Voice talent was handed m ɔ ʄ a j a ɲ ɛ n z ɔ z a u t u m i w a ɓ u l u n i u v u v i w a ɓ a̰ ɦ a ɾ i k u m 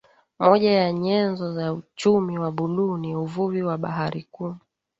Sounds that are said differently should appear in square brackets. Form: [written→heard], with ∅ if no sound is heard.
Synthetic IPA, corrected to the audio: m ɔ ʄ a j a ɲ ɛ n z ɔ z a u [t→t͡ʃ] u m i w a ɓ u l u n i u v u v i w a ɓ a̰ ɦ a ɾ i k u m